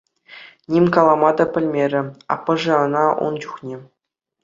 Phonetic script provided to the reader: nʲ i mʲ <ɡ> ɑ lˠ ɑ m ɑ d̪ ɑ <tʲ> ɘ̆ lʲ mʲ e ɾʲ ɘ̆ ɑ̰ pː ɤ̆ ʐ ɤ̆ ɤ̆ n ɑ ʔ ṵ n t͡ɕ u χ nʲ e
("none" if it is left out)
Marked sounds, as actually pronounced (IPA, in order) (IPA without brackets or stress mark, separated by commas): k, pʲ